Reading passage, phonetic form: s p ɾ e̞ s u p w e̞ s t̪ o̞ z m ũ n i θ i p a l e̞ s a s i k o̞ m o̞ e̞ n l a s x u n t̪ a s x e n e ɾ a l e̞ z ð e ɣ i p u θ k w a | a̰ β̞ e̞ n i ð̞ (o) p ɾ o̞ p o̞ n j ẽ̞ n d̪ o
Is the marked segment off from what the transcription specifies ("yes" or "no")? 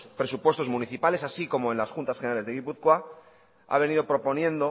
no